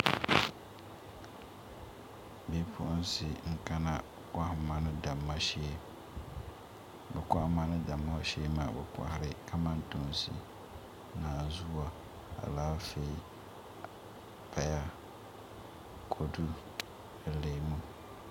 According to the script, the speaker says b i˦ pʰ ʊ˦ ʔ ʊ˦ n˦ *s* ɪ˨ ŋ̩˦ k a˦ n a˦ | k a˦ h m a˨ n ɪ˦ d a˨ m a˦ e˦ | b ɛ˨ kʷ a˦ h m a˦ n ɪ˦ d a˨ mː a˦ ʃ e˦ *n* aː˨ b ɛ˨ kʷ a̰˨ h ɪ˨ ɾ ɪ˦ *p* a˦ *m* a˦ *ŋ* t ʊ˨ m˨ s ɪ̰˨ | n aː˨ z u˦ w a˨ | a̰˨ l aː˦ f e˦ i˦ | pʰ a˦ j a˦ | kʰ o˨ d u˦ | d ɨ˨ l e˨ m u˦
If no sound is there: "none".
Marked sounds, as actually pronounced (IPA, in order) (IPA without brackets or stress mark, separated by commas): s, m, k, m, n